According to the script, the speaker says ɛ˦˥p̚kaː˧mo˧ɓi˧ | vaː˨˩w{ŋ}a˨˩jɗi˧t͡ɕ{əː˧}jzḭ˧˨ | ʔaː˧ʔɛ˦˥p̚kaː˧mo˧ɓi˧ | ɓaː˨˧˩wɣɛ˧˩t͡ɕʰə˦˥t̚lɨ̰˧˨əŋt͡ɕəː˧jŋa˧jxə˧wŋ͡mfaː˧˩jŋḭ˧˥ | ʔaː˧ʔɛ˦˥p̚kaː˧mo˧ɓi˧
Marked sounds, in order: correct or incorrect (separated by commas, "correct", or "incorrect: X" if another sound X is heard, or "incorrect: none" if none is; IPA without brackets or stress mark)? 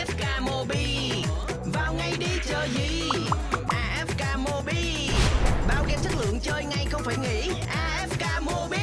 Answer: correct, incorrect: əː˨˩